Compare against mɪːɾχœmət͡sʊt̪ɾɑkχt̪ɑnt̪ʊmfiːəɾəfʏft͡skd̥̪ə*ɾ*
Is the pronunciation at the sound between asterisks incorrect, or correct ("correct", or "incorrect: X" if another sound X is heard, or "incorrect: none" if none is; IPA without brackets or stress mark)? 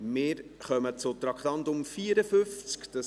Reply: incorrect: none